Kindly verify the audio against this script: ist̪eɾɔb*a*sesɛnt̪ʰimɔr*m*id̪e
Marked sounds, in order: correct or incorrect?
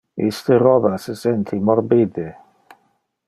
correct, incorrect

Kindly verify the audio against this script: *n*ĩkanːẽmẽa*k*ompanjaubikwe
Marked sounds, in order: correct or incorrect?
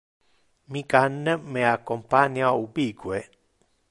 incorrect, correct

